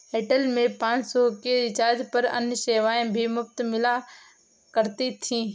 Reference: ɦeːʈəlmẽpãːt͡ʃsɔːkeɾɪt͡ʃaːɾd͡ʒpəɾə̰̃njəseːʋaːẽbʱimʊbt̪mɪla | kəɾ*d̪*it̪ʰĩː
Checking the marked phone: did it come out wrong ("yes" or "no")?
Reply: yes